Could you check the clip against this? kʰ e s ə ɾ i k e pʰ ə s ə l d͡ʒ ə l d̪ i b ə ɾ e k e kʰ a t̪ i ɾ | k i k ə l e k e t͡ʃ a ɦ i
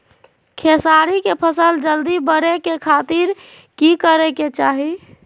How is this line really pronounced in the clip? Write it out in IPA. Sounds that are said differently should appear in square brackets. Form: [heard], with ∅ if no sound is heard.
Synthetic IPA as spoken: kʰ e s [a] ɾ i k e pʰ ə s ə l d͡ʒ ə l d̪ i b ə ɾ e k e kʰ a t̪ i ɾ | k i k ə [ɾ] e k e t͡ʃ a ɦ i